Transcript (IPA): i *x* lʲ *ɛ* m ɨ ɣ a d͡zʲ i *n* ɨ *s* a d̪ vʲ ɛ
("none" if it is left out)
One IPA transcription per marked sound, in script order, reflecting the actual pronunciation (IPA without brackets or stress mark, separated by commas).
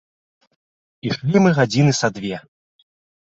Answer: ʂ, i, n, s